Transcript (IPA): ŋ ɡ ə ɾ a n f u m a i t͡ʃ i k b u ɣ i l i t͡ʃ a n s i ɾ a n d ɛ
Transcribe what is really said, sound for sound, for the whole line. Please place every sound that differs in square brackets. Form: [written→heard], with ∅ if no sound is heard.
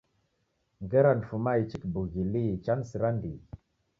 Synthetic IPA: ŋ ɡ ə ɾ a n f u m a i t͡ʃ i k b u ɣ i l i t͡ʃ a n s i ɾ a n d [ɛ→i]